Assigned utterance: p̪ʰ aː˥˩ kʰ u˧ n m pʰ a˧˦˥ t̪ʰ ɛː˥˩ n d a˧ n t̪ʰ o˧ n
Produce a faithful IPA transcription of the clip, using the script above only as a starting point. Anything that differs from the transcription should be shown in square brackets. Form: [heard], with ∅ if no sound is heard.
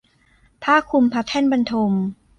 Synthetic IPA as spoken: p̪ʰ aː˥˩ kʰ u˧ [∅] m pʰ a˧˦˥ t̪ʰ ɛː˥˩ n [b] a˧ n t̪ʰ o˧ [m]